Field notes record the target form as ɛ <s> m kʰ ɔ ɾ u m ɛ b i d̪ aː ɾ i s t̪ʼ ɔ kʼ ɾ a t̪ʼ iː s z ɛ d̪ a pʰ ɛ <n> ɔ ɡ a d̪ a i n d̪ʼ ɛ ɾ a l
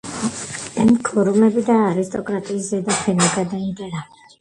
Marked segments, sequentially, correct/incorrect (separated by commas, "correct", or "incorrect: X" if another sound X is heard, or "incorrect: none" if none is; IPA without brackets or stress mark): incorrect: none, correct